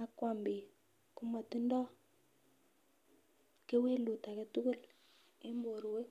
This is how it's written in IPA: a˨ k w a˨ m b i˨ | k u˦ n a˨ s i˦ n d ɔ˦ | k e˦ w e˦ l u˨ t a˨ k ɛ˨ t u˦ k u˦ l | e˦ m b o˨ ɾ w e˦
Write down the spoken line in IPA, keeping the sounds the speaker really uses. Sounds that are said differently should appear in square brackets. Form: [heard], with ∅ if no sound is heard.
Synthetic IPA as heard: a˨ k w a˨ m b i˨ | k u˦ [m] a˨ [t] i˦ n d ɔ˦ | k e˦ w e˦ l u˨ t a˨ k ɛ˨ t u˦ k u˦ l | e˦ m b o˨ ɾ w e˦